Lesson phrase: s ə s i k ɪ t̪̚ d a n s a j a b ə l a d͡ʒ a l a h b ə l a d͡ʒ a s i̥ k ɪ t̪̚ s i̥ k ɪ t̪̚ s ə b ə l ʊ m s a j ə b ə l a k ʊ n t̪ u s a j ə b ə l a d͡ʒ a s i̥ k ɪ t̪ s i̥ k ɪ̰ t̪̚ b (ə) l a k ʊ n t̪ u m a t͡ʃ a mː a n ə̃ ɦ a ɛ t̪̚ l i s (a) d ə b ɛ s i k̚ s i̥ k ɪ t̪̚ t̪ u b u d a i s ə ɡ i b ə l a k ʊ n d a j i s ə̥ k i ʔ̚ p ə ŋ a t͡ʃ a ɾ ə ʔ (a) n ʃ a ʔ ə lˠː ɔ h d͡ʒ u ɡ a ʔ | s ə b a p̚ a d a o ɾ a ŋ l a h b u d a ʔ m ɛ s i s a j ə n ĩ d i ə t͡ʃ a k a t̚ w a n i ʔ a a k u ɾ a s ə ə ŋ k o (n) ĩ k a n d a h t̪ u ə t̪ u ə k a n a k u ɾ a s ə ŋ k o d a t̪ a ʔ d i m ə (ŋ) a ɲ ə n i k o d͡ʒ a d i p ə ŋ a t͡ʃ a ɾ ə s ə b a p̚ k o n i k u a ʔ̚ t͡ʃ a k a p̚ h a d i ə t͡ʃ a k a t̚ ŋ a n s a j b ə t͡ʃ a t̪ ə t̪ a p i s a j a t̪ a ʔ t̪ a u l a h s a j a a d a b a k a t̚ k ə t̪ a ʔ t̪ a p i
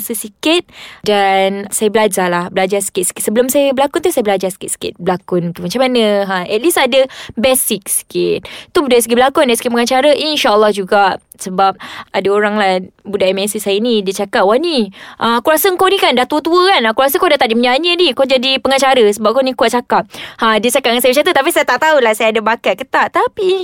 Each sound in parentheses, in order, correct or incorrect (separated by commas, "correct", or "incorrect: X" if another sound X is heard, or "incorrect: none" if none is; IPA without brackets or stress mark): correct, correct, incorrect: i, correct, incorrect: ɲ